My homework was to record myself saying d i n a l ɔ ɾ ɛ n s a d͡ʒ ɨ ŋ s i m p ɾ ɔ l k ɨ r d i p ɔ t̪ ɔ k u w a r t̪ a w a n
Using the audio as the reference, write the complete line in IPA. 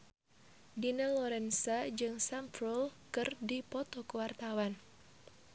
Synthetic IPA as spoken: d i n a l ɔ ɾ ɛ n s a d͡ʒ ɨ ŋ s a m p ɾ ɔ l k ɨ r d i p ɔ t̪ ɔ k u w a r t̪ a w a n